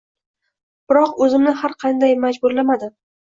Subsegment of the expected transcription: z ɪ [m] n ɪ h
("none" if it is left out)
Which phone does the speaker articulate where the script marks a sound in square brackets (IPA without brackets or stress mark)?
m